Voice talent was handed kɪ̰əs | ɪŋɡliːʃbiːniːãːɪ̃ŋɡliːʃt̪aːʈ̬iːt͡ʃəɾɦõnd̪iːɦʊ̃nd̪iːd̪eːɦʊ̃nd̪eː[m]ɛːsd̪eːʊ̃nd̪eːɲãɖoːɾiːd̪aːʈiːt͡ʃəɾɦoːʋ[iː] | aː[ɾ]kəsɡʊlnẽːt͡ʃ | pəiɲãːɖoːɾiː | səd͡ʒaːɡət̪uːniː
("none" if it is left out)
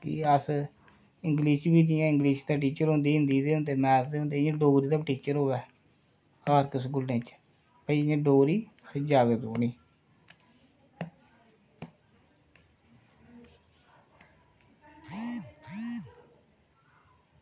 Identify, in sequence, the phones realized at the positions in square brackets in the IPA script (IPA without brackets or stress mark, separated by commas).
m, ɛː, ɾ